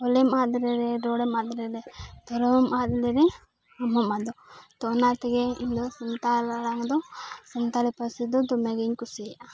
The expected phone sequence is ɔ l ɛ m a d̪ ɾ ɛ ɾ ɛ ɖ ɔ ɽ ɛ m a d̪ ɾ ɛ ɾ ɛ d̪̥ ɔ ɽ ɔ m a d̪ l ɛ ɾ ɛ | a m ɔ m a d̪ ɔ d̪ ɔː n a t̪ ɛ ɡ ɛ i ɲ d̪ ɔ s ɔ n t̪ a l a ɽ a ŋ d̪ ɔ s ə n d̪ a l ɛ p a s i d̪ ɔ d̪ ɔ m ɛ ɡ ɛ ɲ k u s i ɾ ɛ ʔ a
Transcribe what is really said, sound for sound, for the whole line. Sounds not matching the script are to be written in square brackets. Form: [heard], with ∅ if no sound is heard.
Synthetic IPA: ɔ l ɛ m a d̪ ɾ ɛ ɾ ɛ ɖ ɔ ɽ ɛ m a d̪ ɾ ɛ ɾ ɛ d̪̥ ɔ [ɾ] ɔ m a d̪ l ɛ ɾ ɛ | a m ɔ m a d̪ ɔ [t̪] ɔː n a t̪ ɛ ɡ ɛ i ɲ d̪ ɔ s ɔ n t̪ a l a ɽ a ŋ d̪ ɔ s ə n [t̪] a l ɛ p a s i d̪ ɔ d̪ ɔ m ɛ ɡ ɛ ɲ k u s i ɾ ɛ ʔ a